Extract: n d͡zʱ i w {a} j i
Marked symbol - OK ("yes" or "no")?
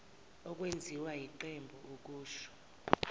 yes